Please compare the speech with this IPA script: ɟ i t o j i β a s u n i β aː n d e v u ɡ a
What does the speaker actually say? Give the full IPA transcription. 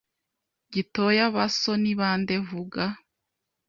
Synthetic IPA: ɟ i t o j a β a s o n i β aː n d e v u ɡ a